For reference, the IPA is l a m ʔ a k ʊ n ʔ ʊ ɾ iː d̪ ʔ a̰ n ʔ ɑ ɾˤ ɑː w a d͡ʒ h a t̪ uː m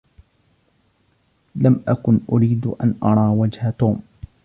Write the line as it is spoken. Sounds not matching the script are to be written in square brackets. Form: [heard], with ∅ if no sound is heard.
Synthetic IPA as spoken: l a m ʔ a k ʊ n ʔ ʊ ɾ iː d̪ ʔ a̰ n ʔ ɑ ɾˤ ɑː w a d͡ʒ h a t̪ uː m